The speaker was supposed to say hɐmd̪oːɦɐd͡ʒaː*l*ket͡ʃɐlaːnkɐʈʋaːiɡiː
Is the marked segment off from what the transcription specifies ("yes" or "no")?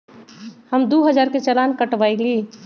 yes